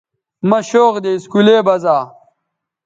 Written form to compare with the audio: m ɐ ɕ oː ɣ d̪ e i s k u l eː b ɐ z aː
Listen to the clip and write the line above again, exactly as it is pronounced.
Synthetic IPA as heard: m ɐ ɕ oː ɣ d̪ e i s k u l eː b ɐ z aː

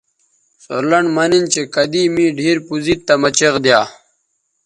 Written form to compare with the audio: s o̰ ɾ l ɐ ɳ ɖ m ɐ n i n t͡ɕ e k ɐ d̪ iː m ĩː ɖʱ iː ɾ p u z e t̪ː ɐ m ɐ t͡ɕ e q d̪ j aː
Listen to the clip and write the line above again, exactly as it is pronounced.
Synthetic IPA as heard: s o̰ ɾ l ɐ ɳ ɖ m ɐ n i n t͡ɕ e k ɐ d̪ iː m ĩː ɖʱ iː ɾ p u z i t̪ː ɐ m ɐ t͡ɕ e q d̪ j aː

